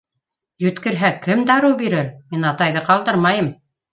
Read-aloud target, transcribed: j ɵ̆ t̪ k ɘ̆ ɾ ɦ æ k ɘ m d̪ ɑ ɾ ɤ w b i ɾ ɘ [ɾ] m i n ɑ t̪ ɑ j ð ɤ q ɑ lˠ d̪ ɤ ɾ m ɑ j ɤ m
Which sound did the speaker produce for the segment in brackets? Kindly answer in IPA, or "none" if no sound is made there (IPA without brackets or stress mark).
ɾ